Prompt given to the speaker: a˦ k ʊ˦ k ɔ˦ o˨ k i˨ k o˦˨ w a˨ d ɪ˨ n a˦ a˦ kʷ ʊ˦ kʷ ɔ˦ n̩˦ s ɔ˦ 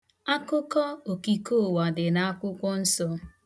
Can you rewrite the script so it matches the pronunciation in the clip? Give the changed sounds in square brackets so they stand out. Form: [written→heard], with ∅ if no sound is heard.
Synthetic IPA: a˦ k ʊ˦ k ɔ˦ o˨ k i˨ k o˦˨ w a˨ d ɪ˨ n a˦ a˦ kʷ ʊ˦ kʷ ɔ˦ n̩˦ s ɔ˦